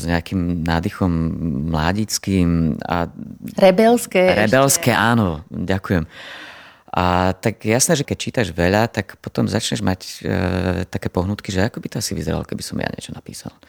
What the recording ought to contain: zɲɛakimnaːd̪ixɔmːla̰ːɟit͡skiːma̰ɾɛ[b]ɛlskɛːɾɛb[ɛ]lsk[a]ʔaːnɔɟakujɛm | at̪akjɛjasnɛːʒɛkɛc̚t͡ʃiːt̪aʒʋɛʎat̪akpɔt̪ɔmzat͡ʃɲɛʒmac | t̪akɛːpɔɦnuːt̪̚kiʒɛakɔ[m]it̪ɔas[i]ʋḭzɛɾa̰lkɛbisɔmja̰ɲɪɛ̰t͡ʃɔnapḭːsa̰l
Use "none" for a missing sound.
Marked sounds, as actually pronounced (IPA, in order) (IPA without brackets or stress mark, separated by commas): b, ɛ, ɛ, b, i